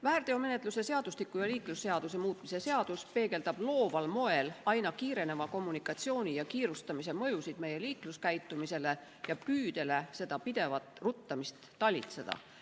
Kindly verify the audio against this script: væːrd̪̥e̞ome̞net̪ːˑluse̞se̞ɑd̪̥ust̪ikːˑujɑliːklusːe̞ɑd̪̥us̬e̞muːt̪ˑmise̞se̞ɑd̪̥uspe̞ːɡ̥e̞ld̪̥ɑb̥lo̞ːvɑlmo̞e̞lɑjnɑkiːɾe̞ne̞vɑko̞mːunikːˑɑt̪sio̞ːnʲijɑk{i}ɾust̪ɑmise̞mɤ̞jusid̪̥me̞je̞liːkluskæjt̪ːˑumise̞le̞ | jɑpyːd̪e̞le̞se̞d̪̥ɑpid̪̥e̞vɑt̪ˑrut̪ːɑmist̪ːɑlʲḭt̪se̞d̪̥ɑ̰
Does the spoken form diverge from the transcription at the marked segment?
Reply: yes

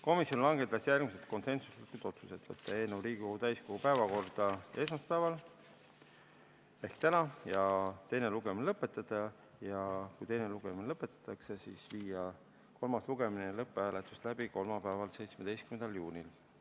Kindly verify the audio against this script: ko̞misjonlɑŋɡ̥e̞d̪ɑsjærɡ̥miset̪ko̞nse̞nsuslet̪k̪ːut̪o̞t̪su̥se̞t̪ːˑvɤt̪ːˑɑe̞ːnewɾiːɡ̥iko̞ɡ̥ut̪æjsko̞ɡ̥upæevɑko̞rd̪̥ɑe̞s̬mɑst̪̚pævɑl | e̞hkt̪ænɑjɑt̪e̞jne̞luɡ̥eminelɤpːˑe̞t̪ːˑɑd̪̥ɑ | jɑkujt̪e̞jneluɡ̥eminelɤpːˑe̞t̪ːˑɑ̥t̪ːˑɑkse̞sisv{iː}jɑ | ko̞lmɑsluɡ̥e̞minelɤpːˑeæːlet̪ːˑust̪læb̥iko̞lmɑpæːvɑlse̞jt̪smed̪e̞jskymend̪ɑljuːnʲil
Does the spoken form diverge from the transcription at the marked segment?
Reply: no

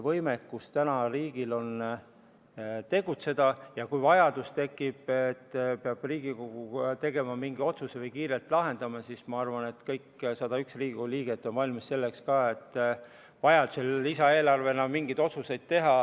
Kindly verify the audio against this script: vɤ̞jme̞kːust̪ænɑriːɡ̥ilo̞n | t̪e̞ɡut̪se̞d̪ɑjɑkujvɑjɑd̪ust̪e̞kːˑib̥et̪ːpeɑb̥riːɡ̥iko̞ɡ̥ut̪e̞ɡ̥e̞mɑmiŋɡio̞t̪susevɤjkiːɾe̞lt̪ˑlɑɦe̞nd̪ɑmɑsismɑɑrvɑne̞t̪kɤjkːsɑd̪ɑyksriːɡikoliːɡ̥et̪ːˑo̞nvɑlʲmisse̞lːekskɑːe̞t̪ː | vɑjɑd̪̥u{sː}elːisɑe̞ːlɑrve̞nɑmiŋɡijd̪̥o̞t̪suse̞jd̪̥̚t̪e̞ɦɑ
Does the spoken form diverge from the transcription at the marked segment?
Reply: yes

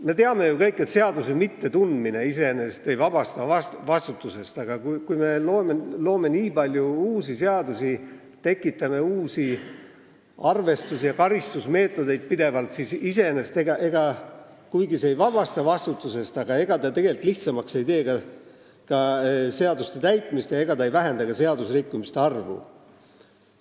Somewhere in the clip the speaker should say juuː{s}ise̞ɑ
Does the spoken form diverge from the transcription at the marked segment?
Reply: no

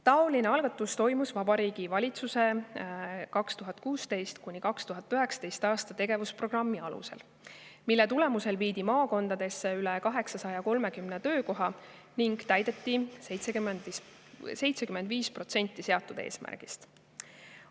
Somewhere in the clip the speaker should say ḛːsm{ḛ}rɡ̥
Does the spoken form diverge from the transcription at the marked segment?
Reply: yes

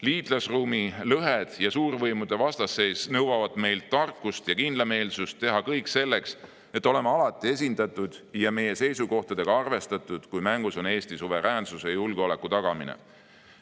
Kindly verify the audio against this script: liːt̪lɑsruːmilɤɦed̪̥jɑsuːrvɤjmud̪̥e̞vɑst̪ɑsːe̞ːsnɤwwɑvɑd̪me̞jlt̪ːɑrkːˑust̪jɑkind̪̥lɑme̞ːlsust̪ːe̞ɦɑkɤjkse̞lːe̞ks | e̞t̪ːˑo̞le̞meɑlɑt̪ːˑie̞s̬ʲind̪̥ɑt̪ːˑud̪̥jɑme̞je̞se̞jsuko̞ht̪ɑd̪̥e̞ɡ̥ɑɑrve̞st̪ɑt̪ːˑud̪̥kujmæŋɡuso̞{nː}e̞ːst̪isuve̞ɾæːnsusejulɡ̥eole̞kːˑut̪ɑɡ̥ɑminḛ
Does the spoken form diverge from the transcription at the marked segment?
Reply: yes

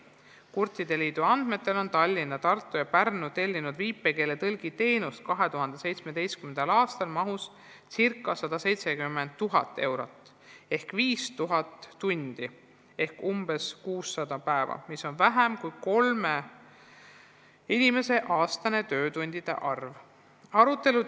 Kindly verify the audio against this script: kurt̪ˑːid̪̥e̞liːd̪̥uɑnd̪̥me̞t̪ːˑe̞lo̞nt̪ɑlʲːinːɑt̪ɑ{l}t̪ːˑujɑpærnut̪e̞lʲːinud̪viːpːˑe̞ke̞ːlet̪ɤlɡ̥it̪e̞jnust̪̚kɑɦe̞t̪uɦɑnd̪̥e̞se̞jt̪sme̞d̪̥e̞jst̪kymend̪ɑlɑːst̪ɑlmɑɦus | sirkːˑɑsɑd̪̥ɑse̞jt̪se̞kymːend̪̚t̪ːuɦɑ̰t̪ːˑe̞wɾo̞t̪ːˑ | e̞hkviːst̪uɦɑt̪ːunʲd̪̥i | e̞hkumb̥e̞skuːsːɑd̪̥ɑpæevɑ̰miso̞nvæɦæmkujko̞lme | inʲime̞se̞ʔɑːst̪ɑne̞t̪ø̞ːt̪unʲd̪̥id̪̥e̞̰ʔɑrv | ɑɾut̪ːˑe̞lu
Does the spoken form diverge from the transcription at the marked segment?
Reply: yes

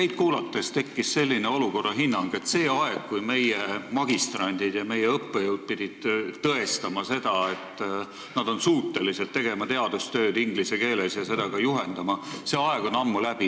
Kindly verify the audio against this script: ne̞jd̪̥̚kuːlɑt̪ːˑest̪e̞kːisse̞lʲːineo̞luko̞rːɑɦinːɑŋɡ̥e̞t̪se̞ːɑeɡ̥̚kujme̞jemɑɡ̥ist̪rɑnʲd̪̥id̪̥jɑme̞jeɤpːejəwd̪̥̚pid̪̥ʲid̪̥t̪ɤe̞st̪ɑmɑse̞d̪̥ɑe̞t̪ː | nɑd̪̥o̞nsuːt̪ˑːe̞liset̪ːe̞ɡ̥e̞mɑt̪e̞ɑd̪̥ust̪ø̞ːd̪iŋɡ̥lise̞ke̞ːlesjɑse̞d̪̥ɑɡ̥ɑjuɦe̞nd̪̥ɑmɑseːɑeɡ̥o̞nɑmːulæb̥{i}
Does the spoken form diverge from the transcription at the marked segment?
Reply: no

